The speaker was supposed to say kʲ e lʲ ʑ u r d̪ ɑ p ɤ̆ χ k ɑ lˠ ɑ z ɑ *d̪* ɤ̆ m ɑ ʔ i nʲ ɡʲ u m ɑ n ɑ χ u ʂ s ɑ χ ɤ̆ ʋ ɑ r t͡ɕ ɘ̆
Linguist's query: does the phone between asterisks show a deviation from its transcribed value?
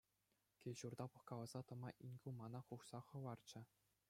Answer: yes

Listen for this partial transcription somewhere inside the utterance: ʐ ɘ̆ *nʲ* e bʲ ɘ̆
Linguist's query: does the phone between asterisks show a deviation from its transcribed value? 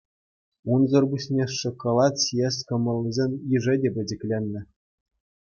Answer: yes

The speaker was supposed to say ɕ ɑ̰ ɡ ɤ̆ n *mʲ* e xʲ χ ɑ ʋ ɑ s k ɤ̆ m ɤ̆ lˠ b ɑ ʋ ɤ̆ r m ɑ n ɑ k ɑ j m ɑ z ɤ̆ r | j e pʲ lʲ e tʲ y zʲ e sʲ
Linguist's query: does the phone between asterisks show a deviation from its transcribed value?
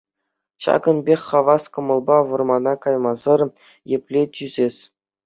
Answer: yes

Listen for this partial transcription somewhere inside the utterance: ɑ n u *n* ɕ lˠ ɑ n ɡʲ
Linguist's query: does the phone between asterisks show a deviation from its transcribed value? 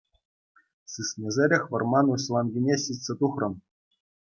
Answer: yes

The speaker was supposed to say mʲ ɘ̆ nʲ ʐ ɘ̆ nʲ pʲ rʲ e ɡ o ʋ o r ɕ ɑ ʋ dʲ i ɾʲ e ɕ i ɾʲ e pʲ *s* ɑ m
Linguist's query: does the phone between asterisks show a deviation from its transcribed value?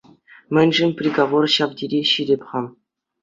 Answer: yes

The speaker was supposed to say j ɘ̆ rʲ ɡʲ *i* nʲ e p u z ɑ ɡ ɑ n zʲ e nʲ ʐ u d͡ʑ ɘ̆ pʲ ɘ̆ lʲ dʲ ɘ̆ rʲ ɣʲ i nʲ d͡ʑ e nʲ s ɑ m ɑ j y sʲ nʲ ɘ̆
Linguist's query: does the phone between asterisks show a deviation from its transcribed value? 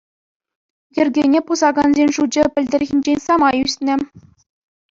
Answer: yes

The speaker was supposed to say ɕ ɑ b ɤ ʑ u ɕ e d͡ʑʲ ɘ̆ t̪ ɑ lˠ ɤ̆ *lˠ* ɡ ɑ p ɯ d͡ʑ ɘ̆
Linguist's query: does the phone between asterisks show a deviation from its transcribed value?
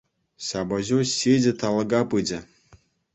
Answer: yes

